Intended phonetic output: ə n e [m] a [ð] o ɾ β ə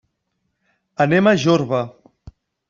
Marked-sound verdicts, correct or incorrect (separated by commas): correct, incorrect